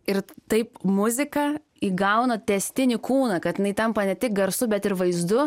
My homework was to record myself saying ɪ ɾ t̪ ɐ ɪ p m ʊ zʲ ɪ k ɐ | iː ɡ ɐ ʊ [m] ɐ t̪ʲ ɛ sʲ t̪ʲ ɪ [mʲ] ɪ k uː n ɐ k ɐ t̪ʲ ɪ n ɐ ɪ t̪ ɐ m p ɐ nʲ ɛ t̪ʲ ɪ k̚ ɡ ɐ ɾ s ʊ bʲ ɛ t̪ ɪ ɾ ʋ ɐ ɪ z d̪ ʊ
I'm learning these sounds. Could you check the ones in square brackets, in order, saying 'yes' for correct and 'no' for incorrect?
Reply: no, no

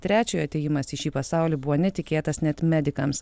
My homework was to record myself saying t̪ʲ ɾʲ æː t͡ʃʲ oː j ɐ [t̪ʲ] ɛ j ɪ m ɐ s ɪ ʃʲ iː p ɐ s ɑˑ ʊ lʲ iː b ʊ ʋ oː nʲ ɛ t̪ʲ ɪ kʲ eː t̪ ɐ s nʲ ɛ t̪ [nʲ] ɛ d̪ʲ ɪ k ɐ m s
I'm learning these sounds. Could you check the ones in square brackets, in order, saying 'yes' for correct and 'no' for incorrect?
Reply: yes, no

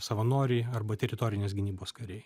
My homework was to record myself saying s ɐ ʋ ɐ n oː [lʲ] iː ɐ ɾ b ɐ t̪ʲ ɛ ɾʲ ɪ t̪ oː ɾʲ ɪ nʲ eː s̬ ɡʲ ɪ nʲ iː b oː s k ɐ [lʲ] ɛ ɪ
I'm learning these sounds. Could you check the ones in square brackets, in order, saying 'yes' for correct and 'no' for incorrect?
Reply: no, no

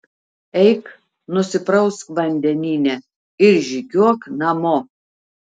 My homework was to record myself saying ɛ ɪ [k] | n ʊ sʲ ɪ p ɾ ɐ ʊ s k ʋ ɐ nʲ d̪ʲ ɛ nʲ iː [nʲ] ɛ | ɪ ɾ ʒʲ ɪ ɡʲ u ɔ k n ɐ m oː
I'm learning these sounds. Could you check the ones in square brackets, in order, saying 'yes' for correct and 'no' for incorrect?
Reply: yes, yes

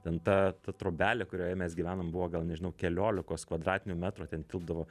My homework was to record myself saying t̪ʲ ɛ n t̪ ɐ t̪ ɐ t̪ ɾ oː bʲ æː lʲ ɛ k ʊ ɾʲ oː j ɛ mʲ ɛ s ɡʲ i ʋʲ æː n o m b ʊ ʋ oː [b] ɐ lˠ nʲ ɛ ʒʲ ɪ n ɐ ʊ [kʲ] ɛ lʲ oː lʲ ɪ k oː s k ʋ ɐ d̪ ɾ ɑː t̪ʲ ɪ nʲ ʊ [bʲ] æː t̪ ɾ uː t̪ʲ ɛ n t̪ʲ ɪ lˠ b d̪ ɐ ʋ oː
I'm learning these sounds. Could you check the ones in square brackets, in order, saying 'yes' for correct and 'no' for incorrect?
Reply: no, yes, no

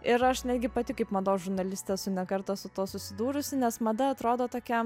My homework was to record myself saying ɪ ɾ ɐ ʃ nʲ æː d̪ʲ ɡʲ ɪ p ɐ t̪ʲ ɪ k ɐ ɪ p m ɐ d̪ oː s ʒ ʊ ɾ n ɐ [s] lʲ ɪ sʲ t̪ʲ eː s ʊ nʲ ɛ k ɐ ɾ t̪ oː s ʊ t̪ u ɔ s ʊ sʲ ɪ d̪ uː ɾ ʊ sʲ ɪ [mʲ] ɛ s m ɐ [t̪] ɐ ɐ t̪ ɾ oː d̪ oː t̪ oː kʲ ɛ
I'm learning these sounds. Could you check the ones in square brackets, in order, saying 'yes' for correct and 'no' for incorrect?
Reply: no, no, no

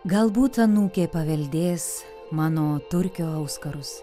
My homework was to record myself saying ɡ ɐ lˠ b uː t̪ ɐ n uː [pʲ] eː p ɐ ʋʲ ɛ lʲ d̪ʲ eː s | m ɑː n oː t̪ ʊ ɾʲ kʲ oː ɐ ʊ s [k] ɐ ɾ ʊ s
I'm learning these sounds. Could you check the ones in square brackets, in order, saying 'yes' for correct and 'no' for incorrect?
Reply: no, yes

